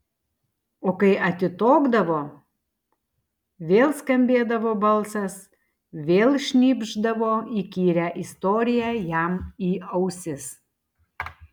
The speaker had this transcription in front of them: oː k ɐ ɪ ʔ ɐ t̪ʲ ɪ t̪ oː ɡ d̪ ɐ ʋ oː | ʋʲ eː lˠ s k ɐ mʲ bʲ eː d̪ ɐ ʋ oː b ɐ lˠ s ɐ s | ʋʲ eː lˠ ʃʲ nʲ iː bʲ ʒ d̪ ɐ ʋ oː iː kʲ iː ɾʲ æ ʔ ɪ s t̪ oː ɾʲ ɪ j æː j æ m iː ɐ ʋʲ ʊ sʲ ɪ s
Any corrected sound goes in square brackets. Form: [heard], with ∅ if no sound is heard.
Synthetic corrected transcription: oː k ɐ ɪ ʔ ɐ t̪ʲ ɪ t̪ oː ɡ d̪ ɐ ʋ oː | ʋʲ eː lˠ s k ɐ mʲ bʲ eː d̪ ɐ ʋ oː b ɐ lˠ s ɐ s | ʋʲ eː lˠ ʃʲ nʲ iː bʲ ʒ d̪ ɐ ʋ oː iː kʲ iː ɾʲ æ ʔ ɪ s t̪ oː ɾʲ ɪ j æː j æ m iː ɐ [∅] ʊ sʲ ɪ s